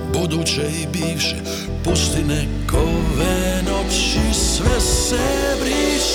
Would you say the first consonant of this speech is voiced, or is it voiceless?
voiced